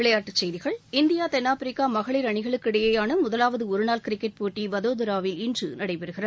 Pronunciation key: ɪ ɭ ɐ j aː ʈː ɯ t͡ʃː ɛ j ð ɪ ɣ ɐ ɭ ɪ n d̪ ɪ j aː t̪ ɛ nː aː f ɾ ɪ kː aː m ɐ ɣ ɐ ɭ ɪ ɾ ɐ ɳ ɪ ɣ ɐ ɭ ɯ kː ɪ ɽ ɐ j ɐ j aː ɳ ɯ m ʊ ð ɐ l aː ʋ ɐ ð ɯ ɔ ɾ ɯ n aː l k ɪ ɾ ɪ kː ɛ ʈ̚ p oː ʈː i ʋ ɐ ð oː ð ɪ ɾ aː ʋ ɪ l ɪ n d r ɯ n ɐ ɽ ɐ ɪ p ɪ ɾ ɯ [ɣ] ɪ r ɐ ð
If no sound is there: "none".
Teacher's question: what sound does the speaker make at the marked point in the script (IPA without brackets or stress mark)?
ɣ